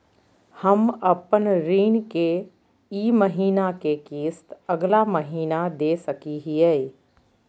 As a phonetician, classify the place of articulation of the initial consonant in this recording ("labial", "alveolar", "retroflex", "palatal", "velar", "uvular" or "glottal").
glottal